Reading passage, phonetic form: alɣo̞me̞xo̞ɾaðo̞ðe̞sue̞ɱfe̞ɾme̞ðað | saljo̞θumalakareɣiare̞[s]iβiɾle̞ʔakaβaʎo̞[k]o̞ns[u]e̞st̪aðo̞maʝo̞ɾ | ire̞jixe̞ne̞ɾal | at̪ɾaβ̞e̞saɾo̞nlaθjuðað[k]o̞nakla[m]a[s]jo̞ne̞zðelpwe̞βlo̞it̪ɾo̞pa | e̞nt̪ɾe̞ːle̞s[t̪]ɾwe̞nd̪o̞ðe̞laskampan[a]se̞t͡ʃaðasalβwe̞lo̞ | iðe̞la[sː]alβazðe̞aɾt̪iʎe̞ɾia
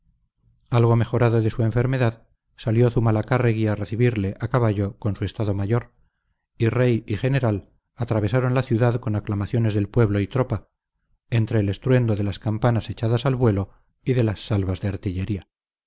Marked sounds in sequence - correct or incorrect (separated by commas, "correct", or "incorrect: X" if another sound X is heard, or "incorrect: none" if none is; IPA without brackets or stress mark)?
incorrect: θ, correct, correct, correct, correct, incorrect: θ, correct, correct, correct